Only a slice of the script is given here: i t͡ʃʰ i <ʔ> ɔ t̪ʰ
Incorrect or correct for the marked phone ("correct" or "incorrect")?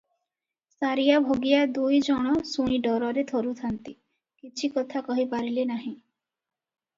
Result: incorrect